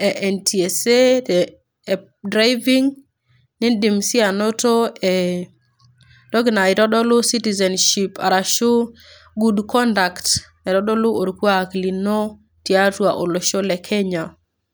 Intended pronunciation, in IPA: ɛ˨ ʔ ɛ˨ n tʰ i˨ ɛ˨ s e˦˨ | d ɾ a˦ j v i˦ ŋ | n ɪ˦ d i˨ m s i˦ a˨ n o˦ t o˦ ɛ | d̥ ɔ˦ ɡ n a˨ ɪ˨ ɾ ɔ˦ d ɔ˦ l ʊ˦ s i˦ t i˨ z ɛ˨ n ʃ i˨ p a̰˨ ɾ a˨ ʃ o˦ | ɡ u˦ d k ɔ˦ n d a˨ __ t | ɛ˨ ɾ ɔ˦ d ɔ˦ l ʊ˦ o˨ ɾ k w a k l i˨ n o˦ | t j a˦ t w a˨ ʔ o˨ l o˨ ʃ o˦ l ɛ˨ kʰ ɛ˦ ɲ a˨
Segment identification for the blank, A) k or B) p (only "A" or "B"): A